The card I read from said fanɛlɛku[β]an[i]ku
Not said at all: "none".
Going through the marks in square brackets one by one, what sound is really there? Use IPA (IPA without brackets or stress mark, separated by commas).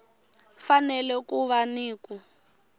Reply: β, iː